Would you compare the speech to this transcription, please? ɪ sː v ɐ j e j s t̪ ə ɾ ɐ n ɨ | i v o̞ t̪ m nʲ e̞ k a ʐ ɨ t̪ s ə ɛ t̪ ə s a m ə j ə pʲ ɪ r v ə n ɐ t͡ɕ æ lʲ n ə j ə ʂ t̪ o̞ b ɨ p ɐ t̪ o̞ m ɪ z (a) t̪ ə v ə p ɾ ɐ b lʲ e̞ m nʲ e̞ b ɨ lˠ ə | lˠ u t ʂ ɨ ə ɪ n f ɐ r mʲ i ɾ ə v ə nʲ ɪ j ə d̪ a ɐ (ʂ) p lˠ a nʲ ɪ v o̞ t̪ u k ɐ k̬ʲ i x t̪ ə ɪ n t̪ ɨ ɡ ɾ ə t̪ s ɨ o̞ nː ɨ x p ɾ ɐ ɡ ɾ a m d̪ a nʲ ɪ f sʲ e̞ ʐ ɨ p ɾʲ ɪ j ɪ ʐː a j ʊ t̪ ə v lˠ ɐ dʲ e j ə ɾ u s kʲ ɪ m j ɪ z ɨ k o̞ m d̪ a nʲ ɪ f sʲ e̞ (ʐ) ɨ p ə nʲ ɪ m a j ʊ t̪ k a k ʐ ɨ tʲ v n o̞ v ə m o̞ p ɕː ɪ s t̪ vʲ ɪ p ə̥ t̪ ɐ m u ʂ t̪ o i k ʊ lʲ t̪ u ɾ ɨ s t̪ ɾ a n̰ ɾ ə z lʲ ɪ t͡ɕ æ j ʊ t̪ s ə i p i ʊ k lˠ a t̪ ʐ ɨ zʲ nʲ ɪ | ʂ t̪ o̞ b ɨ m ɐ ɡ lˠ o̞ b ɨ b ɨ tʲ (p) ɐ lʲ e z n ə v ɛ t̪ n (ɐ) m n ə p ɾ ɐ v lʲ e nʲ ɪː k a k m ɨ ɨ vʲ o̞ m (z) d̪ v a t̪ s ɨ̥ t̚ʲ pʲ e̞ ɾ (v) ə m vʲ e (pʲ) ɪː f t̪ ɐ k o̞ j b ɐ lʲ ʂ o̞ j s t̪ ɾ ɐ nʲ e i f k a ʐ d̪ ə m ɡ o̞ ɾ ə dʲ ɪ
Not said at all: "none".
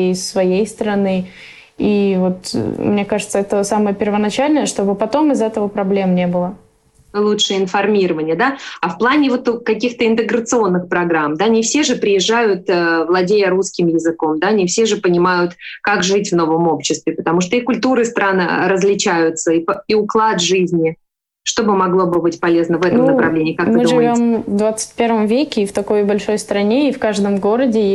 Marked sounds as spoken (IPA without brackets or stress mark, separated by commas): ɛ, f, ʐ, p, ə, v, v, kʲ